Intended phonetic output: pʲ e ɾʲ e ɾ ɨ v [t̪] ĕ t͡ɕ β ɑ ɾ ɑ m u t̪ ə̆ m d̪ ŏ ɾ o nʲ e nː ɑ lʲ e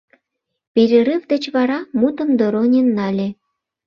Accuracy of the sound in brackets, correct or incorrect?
incorrect